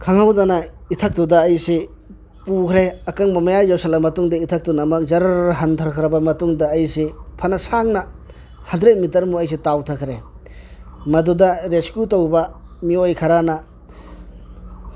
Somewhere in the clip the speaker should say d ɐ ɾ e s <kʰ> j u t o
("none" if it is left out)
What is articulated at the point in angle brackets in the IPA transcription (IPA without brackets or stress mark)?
k